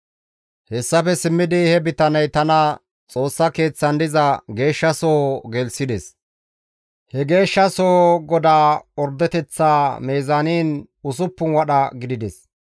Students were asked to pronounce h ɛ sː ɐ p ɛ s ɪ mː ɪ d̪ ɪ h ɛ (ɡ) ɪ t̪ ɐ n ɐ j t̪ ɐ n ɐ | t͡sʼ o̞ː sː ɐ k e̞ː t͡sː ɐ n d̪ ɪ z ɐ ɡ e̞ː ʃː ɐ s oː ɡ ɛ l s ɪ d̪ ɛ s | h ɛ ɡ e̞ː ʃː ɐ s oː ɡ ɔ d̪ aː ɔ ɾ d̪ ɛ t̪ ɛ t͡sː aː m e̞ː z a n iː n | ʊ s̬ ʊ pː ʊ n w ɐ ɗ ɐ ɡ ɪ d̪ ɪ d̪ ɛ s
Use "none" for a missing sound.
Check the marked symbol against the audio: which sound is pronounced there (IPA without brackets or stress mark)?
b